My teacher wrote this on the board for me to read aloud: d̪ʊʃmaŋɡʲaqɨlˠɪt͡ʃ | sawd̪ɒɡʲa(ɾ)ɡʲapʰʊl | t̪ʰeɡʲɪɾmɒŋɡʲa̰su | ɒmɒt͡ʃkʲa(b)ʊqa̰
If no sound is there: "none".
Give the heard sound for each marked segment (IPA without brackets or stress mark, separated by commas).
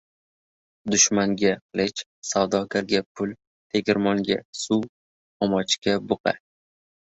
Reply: ɾ, b